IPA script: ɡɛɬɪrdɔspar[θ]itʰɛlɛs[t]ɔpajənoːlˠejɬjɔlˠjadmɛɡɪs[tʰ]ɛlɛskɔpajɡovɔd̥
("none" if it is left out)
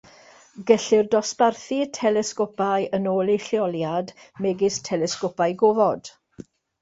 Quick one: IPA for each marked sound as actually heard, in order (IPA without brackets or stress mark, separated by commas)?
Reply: θ, k, tʰ